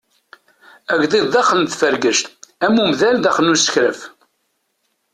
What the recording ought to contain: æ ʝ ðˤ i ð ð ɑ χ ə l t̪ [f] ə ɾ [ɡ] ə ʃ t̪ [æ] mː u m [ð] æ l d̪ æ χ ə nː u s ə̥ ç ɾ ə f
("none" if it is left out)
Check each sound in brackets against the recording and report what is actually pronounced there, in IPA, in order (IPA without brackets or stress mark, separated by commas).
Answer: f, ɡ, æ, ð